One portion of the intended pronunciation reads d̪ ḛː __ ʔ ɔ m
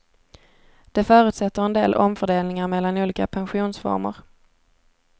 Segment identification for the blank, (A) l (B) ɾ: A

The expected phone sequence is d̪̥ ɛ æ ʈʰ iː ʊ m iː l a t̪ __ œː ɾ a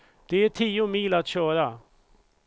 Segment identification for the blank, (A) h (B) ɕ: B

